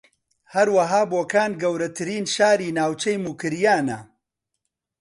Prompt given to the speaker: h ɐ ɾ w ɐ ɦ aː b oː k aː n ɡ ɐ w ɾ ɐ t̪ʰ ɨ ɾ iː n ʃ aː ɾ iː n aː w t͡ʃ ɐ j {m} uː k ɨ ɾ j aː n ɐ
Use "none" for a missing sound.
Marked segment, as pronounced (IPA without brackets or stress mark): m